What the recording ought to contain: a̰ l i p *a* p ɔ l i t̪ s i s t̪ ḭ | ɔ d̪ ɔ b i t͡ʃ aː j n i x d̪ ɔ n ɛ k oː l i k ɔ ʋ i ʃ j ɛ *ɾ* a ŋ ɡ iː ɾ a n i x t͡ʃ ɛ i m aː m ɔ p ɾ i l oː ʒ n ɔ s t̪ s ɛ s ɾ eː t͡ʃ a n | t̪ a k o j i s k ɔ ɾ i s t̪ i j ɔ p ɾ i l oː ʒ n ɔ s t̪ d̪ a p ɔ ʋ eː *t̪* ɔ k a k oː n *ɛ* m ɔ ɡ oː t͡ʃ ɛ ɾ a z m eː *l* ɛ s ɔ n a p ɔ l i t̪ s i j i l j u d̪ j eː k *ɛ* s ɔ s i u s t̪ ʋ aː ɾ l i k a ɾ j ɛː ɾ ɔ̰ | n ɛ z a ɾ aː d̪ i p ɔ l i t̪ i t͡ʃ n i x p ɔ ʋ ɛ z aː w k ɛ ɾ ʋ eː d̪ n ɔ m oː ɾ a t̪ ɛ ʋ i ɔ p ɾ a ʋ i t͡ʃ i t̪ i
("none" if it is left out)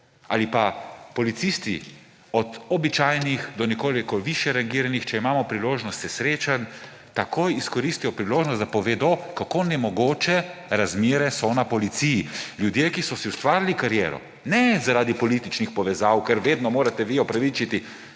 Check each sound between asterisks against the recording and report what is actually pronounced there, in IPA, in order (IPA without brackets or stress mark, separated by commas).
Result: a, ɾ, d̪, ɛ, ɾ, i